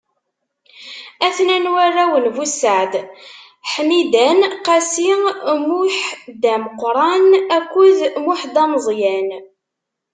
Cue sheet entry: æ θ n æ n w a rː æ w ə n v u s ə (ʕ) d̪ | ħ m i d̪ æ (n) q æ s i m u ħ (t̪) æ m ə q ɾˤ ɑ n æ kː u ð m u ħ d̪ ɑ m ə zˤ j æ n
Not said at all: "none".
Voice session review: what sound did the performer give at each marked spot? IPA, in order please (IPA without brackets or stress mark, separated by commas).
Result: ʕ, n, d̪